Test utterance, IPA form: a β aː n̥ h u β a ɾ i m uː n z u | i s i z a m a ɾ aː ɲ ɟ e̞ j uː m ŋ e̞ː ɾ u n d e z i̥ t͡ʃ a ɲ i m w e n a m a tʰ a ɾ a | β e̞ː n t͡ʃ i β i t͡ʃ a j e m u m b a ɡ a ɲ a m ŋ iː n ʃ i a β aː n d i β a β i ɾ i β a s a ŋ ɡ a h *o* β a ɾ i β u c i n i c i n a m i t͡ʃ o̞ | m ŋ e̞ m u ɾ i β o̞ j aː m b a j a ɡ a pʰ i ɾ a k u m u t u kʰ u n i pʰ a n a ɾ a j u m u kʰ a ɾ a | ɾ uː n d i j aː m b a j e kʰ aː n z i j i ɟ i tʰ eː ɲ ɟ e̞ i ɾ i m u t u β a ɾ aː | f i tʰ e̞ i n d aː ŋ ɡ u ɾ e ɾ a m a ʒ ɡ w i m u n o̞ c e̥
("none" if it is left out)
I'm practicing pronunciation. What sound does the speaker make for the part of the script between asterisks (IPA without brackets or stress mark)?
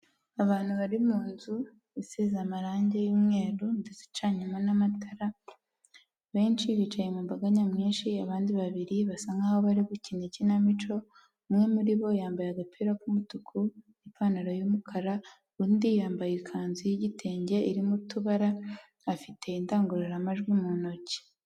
o